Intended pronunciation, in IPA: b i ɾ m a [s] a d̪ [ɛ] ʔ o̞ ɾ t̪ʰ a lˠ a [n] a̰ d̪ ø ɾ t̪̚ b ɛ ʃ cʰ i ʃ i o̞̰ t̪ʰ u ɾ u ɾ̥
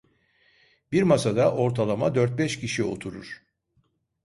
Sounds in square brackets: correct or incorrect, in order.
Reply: correct, incorrect: a, incorrect: m

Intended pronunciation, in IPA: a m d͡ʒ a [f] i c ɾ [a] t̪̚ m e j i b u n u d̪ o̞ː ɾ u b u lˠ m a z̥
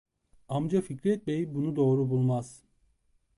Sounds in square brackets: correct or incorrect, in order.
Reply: correct, incorrect: ɛ

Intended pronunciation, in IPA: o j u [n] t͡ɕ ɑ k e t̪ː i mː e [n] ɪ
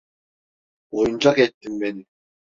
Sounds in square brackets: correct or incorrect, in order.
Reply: correct, correct

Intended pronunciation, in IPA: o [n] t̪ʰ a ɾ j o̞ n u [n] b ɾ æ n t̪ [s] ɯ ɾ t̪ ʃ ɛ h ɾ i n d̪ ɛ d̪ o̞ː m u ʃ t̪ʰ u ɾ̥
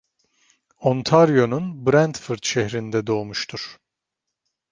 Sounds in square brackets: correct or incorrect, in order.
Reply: correct, correct, incorrect: f

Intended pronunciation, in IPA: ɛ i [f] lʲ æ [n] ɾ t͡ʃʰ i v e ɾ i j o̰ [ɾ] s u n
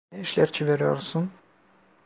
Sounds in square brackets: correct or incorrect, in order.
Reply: incorrect: ʃ, incorrect: none, correct

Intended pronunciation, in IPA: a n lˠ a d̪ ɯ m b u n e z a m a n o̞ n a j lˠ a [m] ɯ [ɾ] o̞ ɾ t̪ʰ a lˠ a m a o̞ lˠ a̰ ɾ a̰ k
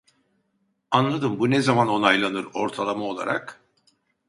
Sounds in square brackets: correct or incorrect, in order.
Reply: incorrect: n, correct

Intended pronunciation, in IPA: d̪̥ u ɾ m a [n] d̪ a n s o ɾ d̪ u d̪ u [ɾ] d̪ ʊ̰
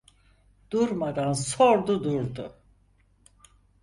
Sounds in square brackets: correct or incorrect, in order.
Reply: incorrect: none, correct

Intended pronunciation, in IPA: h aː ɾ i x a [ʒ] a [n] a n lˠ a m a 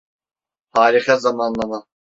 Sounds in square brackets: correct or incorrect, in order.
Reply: incorrect: z, incorrect: m

